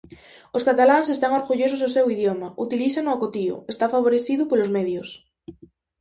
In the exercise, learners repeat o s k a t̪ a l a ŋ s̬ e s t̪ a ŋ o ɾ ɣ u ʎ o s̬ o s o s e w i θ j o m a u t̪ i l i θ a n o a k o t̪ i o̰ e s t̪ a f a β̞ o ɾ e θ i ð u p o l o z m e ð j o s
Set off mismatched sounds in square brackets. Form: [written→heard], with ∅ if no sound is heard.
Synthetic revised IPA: o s k a t̪ a l a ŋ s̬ e s t̪ a ŋ o ɾ ɣ u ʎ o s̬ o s o s e w i [θ→ð] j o m a u t̪ i l i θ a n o a k o t̪ i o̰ e s t̪ a f a β̞ o ɾ e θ i ð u p o l o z m e ð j o s